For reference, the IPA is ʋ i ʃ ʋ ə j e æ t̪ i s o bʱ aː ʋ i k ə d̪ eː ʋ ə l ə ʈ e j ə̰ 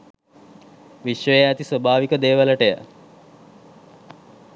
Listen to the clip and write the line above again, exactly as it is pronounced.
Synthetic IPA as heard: ʋ i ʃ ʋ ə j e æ t̪ i s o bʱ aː ʋ i k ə d̪ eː ʋ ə l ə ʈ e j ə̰